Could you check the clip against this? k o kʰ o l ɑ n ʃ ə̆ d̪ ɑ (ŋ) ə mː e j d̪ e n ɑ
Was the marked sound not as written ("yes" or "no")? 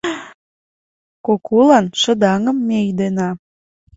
no